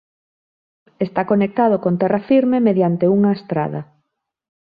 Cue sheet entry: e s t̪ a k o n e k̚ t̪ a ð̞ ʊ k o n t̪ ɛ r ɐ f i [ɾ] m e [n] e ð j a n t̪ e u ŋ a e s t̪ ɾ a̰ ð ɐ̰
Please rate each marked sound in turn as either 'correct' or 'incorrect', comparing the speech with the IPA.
correct, incorrect

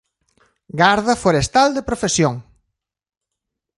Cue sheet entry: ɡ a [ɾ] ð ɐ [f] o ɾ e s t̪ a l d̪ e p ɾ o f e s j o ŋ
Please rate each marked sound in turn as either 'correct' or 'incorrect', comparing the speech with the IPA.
correct, correct

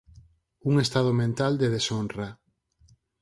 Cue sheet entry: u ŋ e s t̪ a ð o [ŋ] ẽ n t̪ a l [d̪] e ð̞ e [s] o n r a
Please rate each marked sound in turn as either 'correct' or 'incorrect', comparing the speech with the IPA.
incorrect, correct, correct

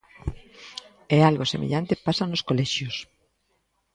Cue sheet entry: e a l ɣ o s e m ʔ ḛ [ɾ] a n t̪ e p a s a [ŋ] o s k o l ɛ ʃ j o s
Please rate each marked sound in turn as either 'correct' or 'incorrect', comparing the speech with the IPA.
incorrect, incorrect

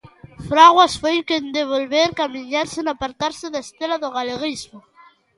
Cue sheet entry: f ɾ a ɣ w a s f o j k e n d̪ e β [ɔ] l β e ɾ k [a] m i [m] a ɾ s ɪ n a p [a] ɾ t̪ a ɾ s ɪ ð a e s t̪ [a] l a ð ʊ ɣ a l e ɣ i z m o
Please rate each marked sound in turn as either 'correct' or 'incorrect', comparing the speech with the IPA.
incorrect, correct, incorrect, correct, incorrect

